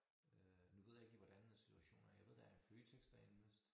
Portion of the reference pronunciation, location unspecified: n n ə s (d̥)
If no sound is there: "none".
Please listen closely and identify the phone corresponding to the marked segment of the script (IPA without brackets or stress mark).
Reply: d̥